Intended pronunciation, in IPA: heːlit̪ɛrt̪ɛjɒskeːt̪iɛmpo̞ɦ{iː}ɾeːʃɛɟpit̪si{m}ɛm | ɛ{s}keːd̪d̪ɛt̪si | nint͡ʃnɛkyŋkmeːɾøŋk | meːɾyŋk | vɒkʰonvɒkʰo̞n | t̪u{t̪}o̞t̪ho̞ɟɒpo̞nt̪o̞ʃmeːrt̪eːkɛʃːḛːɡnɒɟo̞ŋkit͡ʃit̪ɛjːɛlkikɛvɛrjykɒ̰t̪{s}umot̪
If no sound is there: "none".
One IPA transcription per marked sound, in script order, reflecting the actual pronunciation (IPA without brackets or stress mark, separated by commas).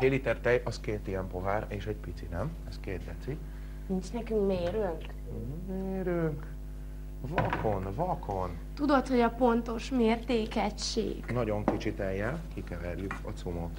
aː, n, s, d̪, s